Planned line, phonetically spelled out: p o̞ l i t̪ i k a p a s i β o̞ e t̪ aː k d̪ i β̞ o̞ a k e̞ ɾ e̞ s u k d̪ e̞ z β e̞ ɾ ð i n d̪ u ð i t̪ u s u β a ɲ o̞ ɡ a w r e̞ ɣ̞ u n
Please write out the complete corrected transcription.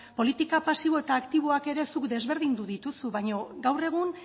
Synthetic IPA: p o̞ l i t̪ i k a p a s i β o̞ e t̪ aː k t̪ i β̞ o̞ a k e̞ ɾ e̞ s u k d̪ e̞ z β e̞ ɾ ð i n d̪ u ð i t̪ u s u β a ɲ o̞ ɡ a w r e̞ ɣ̞ u n